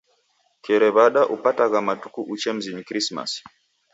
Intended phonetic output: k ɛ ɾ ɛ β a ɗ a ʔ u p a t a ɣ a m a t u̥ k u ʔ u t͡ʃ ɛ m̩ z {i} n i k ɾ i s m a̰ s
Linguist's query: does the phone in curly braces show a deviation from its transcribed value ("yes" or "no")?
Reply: no